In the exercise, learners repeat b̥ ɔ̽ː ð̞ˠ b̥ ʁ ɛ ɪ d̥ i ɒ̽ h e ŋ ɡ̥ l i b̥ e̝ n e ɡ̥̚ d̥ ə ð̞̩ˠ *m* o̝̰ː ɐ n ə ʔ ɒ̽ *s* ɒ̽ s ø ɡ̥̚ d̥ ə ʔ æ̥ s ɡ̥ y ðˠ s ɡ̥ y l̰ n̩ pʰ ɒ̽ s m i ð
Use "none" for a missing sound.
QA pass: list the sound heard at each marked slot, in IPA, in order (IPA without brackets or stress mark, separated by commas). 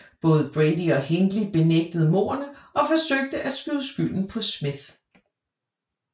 m, f